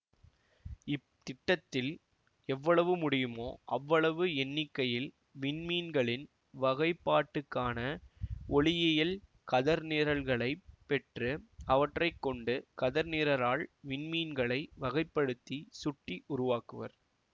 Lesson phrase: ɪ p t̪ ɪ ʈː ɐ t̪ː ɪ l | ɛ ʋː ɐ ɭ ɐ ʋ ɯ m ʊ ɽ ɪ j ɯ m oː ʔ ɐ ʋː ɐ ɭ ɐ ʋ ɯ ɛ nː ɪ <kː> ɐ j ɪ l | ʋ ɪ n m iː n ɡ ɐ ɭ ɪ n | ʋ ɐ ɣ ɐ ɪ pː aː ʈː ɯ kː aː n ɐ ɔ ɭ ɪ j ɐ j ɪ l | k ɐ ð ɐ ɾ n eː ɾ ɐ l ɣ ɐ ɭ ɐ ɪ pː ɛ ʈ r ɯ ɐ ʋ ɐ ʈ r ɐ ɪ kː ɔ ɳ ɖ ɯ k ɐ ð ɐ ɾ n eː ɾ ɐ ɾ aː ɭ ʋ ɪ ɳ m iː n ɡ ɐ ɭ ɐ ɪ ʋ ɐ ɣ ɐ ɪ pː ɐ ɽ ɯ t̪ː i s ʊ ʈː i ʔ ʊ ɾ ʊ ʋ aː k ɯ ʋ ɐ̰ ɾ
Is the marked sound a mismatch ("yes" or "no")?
no